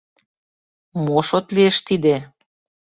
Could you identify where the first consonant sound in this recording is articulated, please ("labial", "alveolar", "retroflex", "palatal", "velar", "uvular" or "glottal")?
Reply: labial